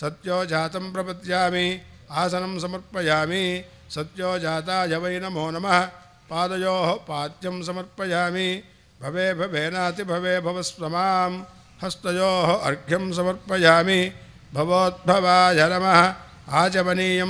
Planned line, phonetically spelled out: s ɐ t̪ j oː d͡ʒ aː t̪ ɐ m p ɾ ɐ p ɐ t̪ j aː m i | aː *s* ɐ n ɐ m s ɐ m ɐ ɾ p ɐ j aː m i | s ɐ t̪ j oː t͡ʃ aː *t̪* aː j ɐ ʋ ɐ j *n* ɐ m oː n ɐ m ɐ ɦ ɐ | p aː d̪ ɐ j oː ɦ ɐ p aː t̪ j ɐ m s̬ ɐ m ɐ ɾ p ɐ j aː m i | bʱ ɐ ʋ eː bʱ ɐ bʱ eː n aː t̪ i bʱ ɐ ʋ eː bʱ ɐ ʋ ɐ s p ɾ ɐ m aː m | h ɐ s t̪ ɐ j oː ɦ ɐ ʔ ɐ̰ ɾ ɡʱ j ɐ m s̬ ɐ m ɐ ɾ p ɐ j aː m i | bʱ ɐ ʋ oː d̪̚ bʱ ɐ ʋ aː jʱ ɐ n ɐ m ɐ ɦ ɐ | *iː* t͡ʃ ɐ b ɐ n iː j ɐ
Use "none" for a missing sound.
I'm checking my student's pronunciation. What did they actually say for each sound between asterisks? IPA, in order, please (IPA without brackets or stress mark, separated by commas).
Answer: s, t̪, n, aː